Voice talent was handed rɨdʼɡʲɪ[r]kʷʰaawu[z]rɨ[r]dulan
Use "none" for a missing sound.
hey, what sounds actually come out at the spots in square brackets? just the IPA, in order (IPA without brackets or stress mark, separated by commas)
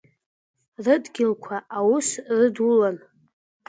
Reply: l, s, none